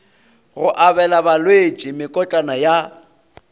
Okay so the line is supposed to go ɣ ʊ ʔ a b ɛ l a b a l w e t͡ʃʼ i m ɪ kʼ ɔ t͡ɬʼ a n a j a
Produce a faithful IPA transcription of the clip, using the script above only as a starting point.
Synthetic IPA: ɣ ʊ ʔ a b ɛ l a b a l w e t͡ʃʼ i m ɪ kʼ ɔ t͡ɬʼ a n a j a